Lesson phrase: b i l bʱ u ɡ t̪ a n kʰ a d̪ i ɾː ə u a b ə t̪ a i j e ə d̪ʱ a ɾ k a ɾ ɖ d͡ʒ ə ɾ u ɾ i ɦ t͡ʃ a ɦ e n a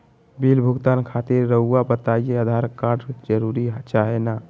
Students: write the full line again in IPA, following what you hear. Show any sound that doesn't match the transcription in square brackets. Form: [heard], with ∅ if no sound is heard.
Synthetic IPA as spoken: b i l bʱ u ɡ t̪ a n kʰ a [t̪] i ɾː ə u a b ə t̪ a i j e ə d̪ʱ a ɾ k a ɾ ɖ d͡ʒ ə ɾ u ɾ i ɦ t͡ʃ a ɦ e n a